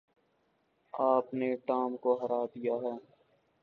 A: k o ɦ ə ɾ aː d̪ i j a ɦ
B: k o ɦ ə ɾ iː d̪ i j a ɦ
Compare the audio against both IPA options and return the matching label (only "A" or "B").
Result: A